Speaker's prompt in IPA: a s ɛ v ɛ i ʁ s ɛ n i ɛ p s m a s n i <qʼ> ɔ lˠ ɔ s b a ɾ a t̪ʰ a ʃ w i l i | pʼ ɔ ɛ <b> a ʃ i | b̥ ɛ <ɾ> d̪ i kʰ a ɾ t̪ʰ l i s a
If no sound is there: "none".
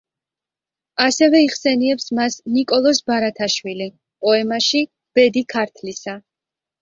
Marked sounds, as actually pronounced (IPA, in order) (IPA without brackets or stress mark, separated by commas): kʼ, m, none